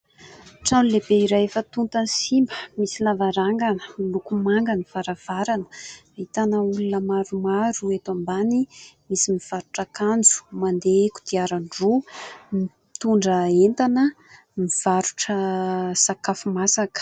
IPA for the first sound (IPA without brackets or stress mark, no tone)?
ʈ͡ʂ